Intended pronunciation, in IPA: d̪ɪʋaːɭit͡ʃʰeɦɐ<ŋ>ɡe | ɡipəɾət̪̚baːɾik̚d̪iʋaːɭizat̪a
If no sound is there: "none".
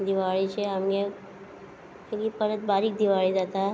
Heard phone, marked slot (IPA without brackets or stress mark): m